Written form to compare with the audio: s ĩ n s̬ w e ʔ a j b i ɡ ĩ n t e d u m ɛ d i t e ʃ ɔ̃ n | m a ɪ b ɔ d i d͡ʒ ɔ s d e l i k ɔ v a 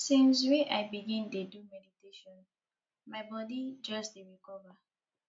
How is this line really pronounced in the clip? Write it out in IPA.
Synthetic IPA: s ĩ n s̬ w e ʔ a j b i ɡ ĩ n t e d u m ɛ d i t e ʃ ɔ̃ n | m a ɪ b ɔ d i d͡ʒ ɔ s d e ɹ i k ɔ v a